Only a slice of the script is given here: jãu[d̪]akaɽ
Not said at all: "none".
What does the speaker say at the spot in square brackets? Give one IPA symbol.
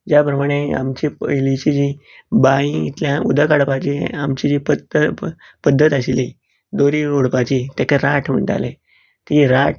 d̪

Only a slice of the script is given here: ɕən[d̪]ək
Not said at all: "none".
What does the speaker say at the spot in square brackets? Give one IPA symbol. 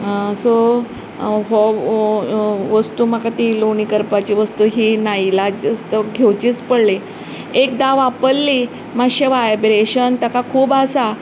t̪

